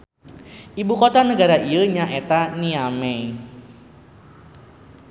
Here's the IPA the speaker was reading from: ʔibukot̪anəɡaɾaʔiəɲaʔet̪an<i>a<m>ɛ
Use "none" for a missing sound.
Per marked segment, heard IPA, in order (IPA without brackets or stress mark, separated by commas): i, m